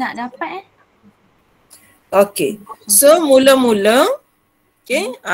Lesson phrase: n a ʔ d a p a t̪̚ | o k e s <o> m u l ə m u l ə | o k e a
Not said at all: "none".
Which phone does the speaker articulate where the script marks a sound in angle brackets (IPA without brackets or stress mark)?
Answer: o